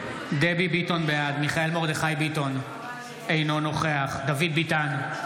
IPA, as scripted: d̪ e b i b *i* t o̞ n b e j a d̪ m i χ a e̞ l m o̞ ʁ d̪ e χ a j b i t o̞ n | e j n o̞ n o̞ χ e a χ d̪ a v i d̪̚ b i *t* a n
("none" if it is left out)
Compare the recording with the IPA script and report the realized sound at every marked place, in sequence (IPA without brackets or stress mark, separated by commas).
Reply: i, t